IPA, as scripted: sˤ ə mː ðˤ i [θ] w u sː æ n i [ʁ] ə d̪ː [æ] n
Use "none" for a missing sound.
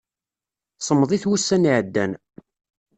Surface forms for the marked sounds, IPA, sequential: θ, ʕ, æ

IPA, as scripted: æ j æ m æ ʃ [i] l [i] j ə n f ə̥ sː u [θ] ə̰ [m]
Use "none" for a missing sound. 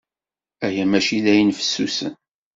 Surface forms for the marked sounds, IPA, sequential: i, æ, s, n

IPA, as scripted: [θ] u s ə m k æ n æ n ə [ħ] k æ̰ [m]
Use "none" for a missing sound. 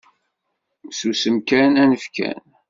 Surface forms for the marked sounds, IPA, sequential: s, f, n

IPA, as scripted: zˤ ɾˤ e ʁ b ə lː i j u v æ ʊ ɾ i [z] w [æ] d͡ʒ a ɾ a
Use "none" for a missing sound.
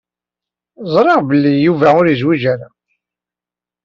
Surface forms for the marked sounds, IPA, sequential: z, i

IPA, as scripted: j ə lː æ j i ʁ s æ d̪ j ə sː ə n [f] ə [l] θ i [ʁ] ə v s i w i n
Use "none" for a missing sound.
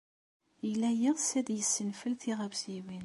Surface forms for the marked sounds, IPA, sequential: f, l, ʁ

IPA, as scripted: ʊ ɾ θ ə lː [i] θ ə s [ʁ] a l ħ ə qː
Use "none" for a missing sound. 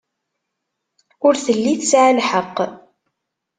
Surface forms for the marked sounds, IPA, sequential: i, ʕ

